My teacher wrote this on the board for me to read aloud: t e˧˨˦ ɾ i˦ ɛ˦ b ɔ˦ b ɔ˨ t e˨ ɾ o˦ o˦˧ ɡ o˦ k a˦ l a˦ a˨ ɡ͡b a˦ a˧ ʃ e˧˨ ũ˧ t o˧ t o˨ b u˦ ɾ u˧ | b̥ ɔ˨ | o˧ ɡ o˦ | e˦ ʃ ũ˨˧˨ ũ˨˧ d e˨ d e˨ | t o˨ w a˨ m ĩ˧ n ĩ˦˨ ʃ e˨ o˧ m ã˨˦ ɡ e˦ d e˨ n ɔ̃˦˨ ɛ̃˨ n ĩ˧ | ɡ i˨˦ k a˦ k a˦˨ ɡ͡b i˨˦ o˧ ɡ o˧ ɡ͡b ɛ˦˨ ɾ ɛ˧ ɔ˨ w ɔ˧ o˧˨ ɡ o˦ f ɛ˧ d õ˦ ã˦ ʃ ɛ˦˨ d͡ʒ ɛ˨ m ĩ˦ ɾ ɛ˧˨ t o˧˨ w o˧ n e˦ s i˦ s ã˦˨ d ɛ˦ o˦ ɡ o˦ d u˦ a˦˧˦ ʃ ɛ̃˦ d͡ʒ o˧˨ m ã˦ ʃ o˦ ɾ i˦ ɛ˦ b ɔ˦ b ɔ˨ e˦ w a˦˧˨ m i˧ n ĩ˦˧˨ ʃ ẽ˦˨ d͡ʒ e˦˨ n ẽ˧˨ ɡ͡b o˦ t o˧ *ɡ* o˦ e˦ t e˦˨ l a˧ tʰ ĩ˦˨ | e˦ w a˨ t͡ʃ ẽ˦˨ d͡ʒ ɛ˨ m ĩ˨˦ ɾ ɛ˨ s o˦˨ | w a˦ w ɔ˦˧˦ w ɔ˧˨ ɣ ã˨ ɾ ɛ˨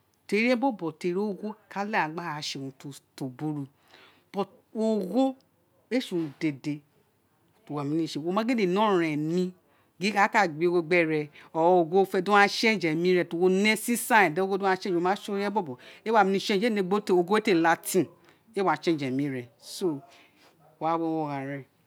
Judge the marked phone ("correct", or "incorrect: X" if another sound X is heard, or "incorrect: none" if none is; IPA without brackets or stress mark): correct